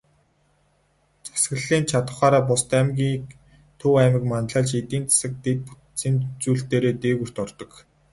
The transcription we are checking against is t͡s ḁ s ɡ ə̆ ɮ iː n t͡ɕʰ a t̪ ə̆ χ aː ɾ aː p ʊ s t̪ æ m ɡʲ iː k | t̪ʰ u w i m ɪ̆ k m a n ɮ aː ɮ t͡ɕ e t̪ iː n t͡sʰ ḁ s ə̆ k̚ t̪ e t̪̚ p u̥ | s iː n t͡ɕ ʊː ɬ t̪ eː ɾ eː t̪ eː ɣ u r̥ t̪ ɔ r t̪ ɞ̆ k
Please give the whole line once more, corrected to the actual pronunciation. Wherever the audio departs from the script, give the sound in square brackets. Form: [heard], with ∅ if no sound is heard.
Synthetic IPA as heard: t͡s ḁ s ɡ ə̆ ɮ iː n t͡ɕʰ a t̪ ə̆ χ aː ɾ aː p ʊ s t̪ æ m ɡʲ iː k | t̪ʰ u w [æ] m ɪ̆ k m a n ɮ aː ɮ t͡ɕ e t̪ iː n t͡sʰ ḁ s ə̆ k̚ t̪ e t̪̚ p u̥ | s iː n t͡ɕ [uː] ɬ t̪ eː ɾ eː t̪ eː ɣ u r̥ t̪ ɔ r t̪ ɞ̆ k